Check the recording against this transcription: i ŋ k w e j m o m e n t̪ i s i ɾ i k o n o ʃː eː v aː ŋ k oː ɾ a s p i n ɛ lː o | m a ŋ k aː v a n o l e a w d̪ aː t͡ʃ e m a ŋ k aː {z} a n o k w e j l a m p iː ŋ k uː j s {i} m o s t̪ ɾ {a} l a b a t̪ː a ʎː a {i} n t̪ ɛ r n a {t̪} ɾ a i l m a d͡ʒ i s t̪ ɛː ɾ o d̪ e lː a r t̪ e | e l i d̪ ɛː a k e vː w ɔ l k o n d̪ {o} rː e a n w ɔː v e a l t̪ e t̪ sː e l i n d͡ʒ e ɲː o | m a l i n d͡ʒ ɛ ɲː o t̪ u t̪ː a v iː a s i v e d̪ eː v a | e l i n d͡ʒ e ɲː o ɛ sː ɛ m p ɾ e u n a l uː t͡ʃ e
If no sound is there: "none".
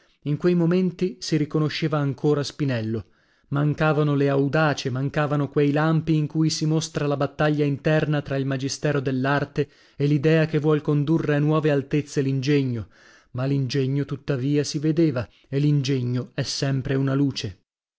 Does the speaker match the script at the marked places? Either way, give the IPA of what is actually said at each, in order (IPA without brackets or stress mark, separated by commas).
v, i, a, i, t̪, u